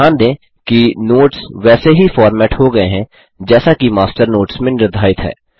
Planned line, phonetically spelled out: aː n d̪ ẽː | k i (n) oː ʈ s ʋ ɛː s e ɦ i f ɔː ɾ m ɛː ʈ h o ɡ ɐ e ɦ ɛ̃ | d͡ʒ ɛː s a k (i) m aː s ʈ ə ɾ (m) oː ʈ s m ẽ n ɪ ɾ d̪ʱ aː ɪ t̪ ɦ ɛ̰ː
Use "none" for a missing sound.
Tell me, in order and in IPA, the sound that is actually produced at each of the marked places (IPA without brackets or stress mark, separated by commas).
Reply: n, i, n